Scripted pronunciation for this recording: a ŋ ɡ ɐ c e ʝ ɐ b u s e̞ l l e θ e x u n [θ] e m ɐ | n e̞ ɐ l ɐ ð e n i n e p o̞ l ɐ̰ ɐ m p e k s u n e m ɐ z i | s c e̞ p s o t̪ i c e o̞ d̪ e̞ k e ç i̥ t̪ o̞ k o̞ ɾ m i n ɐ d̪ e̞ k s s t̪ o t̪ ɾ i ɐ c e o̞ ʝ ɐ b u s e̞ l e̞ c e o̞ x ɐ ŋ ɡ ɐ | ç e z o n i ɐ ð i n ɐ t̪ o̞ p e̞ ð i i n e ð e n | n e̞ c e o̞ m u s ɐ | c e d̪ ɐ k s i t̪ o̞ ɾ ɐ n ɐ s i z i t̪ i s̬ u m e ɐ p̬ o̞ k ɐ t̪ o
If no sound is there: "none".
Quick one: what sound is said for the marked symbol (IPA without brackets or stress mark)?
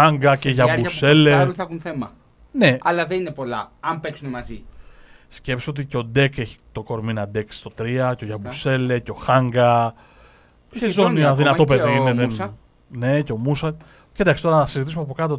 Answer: θ